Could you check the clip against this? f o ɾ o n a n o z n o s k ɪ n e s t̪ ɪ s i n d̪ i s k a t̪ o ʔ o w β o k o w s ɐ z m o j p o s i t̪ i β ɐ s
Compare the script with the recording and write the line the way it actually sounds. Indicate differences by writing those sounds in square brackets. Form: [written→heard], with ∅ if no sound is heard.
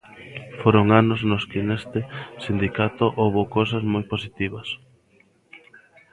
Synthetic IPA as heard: f o ɾ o [n→ŋ] a n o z n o s k ɪ n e s t̪ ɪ s i n d̪ i [s→∅] k a t̪ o ʔ o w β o k o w s ɐ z m o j p o s i t̪ i β ɐ s